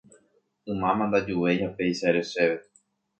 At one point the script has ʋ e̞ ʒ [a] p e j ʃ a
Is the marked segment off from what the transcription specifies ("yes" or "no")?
no